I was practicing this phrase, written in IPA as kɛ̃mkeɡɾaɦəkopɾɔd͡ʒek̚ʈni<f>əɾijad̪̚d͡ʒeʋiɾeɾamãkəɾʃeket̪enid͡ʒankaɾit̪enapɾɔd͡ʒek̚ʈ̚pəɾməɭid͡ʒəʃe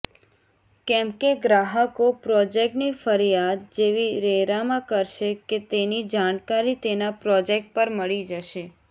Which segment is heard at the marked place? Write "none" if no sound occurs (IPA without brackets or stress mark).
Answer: f